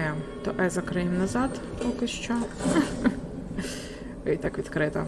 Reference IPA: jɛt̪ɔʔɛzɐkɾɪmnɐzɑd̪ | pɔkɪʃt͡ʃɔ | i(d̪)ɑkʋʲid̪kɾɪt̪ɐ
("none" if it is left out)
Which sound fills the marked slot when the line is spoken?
t̪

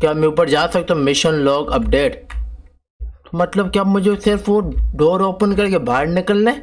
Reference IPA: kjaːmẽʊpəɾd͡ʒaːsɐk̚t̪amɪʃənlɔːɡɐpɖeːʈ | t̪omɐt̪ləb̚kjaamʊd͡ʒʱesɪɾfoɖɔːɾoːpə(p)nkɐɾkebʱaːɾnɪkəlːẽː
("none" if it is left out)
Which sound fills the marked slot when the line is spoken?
none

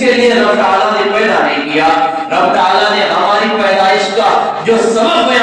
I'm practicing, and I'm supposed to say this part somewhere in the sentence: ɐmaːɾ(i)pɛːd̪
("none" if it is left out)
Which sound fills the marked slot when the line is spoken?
i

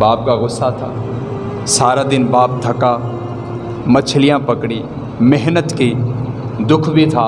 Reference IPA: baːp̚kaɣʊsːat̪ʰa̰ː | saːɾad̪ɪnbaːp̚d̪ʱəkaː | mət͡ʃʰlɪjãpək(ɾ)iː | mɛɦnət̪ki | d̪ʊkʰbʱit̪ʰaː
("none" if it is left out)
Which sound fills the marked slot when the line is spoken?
ɽ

